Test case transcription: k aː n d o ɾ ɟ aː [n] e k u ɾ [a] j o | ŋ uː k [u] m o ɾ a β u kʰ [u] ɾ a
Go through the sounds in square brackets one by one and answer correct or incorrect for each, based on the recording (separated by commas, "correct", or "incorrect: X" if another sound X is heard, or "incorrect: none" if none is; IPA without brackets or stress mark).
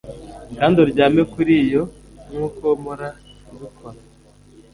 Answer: incorrect: m, incorrect: i, incorrect: o, incorrect: o